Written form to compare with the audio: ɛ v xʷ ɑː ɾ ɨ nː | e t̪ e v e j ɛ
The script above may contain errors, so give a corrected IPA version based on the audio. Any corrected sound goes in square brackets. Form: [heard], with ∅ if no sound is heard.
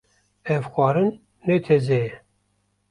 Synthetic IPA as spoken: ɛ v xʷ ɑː ɾ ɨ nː | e [t̪ʰ] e [z] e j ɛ